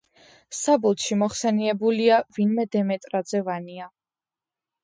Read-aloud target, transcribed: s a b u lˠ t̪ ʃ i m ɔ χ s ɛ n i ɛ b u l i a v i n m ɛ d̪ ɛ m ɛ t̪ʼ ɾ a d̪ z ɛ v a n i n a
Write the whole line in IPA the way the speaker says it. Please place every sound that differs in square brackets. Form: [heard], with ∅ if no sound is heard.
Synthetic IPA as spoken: s a b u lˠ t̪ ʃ i m ɔ χ s ɛ n i ɛ b u l i a v i n m ɛ d̪ ɛ m ɛ t̪ʼ ɾ a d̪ z ɛ v a n i [∅] a